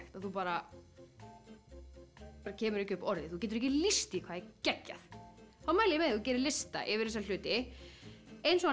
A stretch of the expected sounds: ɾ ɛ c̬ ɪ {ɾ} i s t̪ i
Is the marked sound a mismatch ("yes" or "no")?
yes